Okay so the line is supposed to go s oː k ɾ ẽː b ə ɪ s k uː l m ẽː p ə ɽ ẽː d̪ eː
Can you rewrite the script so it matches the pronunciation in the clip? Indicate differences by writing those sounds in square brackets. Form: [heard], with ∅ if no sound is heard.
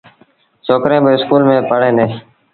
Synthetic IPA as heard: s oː k ɾ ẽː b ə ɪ s k uː l m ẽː p ə ɽ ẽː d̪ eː